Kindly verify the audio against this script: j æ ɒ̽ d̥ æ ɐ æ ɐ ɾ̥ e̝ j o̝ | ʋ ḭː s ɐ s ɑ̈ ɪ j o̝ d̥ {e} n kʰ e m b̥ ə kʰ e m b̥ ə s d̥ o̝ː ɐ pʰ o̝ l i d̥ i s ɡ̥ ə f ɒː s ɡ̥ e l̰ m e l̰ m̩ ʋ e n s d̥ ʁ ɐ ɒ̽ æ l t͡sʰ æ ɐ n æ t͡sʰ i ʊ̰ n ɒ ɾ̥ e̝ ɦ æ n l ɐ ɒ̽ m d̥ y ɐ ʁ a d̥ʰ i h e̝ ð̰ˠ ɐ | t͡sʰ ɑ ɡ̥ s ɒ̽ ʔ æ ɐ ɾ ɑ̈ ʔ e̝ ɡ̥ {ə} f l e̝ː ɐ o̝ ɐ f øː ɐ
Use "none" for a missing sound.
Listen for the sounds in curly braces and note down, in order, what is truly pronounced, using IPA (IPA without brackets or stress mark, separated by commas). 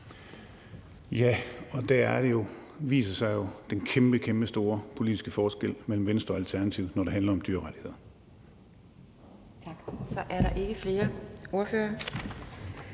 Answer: e, ə